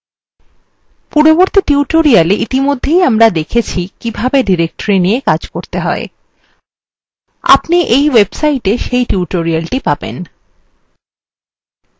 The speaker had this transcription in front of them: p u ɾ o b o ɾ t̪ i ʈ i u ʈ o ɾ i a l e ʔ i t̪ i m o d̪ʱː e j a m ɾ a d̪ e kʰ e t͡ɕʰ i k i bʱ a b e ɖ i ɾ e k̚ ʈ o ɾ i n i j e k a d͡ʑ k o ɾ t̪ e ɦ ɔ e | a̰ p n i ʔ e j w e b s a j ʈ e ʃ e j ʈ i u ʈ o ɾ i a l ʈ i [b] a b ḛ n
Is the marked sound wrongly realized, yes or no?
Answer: yes